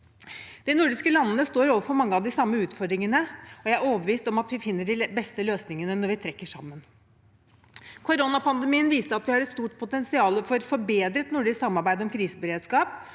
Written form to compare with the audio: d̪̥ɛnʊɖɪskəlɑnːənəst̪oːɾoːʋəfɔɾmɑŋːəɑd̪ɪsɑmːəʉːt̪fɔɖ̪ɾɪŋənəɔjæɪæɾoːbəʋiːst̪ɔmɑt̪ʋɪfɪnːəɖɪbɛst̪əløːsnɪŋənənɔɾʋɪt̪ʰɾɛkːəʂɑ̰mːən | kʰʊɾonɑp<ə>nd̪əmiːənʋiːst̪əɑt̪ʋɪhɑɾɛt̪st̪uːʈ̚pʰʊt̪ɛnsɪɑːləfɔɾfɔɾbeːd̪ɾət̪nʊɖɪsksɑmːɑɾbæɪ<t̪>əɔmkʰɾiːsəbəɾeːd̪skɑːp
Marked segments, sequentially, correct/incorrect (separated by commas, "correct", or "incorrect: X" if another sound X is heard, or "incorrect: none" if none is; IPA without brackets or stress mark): incorrect: ɑ, incorrect: d̪